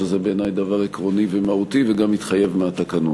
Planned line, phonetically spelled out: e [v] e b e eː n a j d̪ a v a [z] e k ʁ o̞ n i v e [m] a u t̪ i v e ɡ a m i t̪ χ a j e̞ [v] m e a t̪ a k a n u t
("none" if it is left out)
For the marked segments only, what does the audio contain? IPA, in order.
z, ʁ, m, v

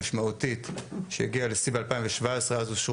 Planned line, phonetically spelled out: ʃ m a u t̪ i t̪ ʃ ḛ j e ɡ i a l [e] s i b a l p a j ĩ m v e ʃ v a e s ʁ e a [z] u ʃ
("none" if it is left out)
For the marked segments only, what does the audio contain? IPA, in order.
e, z

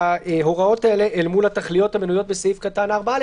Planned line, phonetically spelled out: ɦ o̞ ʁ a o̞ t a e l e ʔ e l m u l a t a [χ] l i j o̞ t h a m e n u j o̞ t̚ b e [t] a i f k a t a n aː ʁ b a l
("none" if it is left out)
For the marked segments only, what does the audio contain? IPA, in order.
χ, s

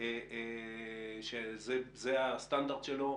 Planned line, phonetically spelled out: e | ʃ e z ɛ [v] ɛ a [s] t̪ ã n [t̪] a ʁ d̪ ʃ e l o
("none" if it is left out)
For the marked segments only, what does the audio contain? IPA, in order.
z, s, d̪

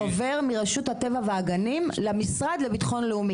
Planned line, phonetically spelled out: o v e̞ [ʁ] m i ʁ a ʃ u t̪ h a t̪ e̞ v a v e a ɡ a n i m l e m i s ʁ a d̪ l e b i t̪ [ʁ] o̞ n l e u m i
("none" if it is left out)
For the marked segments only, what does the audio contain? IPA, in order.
ʁ, χ

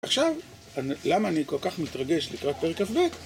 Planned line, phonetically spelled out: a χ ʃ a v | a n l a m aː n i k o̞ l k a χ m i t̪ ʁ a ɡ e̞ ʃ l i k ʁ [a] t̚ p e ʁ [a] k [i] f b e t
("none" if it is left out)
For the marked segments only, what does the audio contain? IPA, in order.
a, e, a

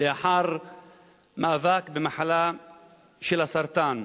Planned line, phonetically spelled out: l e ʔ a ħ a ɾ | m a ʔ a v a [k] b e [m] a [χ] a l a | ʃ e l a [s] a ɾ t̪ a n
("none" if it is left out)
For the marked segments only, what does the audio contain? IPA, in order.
k, m, ħ, s

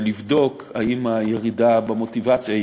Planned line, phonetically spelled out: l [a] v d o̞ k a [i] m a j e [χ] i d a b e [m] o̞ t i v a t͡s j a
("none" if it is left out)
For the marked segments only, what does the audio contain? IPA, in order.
i, i, ʁ, m

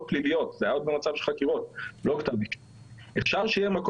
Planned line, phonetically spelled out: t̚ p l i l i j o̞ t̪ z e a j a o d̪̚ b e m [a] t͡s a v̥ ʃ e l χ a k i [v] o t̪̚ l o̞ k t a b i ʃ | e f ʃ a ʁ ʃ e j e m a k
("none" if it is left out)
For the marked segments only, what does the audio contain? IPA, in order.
a, ʁ

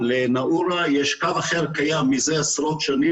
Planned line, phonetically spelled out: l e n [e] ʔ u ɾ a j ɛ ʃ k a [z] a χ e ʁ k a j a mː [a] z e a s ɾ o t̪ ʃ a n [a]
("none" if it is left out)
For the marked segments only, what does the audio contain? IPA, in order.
a, v, i, i

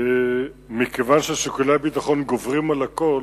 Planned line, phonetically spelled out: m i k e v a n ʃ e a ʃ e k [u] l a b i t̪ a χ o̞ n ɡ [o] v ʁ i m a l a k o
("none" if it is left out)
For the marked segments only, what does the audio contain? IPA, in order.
u, o

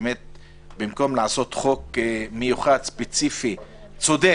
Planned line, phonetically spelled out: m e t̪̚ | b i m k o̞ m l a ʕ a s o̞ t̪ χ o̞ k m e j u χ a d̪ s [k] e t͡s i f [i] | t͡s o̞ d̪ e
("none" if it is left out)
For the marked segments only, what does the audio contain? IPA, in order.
p, i

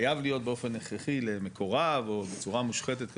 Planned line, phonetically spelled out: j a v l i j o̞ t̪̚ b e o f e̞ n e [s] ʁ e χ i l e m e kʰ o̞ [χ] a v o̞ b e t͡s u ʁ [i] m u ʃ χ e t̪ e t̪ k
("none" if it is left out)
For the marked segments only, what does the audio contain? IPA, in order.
χ, ʁ, a

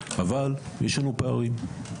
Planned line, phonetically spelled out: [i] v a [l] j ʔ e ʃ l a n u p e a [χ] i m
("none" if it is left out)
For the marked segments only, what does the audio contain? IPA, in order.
a, l, ʁ

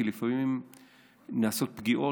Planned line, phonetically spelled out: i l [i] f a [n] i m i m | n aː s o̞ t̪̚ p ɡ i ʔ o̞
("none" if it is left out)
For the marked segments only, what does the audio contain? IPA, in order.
i, m

